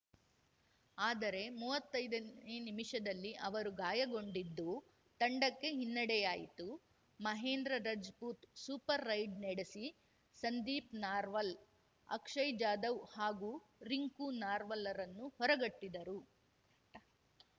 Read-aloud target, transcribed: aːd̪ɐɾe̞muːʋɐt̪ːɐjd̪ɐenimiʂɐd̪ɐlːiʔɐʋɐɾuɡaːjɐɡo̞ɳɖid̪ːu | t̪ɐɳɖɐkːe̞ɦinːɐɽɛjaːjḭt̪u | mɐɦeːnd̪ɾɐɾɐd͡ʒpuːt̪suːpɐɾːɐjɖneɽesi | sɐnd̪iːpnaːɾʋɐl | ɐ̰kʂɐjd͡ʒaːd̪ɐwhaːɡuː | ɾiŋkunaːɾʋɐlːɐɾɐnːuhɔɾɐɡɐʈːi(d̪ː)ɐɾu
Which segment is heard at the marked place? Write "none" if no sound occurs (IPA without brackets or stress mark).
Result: d̪